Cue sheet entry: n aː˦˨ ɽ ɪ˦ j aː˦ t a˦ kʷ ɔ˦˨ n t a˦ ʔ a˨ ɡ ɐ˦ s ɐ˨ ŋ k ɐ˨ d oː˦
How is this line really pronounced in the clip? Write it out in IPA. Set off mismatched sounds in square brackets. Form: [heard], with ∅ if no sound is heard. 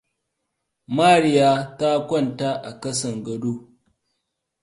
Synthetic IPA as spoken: [m] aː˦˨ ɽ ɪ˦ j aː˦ t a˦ kʷ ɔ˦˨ n t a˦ ʔ a˨ [k] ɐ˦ s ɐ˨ ŋ [ɡ] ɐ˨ d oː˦